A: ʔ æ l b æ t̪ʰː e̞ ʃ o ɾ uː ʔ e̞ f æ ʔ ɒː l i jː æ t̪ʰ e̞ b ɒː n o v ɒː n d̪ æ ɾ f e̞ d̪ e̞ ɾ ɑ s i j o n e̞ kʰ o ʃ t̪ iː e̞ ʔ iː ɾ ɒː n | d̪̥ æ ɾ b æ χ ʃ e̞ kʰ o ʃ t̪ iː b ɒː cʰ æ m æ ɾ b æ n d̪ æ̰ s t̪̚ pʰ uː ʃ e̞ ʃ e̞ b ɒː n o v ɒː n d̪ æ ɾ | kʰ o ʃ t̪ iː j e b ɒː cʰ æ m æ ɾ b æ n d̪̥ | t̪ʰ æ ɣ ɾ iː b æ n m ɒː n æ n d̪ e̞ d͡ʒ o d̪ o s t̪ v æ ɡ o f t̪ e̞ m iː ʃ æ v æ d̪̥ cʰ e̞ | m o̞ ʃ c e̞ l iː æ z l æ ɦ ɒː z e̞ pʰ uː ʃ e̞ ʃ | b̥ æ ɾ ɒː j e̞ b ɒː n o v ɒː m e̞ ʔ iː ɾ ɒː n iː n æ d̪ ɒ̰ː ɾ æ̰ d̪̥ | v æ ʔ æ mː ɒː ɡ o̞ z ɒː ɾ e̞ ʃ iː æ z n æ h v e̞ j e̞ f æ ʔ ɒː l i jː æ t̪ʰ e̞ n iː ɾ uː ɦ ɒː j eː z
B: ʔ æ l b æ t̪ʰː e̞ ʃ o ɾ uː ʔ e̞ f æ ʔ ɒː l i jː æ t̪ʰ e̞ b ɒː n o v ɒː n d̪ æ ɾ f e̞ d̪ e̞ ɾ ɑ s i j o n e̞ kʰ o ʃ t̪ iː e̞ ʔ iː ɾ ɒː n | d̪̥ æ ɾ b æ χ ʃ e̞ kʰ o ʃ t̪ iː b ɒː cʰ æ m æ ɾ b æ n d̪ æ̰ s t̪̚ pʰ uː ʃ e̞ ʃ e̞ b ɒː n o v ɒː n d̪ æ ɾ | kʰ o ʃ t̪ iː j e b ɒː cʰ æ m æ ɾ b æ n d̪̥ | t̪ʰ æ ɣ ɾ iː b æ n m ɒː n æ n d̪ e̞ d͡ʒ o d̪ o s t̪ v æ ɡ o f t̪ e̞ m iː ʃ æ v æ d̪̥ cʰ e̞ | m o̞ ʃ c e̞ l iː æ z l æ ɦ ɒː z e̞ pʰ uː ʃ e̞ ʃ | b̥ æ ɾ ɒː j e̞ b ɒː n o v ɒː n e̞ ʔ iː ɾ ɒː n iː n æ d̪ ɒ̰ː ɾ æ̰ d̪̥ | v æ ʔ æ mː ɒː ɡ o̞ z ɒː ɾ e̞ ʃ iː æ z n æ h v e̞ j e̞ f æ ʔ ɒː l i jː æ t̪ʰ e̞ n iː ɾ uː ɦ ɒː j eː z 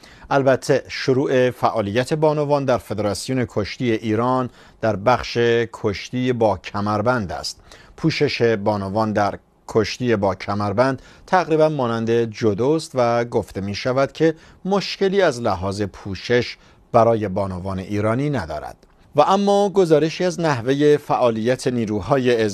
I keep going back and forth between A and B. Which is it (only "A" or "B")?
B